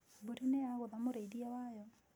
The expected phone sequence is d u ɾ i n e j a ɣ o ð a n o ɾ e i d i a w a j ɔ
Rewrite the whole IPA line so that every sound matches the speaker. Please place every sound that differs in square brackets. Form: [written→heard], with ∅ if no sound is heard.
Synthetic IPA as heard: [d→b] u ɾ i n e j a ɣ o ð a [n→m] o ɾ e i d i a w a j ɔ